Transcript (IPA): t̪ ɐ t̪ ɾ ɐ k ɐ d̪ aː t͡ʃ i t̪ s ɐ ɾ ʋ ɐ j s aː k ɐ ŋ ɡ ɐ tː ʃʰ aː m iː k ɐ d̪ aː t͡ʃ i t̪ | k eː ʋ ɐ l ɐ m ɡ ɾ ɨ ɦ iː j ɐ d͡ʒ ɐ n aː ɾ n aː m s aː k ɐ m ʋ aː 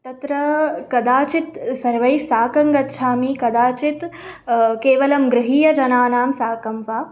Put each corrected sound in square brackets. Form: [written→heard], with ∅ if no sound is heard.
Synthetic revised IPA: t̪ ɐ t̪ ɾ ɐ k ɐ d̪ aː t͡ʃ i t̪ s ɐ ɾ ʋ ɐ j s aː k ɐ ŋ ɡ ɐ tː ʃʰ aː m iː k ɐ d̪ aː t͡ʃ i t̪ | k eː ʋ ɐ l ɐ m ɡ ɾ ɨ ɦ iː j ɐ d͡ʒ ɐ n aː [ɾ→∅] n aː m s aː k ɐ m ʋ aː